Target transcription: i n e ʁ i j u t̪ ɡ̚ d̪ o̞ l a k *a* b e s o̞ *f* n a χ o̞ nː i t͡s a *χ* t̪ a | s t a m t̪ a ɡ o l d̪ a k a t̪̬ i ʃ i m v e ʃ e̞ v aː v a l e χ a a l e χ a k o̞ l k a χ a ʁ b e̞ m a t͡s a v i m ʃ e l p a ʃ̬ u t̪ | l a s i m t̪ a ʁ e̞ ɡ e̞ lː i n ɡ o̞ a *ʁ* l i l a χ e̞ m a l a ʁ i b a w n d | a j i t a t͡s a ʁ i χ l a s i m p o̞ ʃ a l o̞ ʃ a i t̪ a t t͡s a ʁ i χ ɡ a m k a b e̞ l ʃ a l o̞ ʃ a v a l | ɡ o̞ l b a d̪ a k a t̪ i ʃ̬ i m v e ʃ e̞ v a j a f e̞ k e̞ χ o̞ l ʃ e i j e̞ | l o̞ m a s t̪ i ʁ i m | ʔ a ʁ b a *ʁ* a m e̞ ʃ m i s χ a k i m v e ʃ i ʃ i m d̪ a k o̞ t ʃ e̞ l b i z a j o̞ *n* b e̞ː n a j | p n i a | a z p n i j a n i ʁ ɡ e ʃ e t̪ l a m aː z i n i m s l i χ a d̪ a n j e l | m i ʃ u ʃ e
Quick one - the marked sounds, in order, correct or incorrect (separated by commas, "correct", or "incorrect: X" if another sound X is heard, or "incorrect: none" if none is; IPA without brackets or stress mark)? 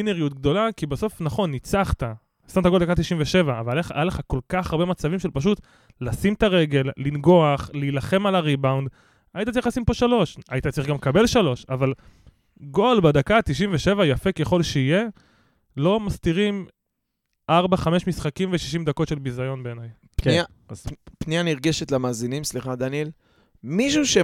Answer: incorrect: i, correct, correct, incorrect: χ, incorrect: χ, correct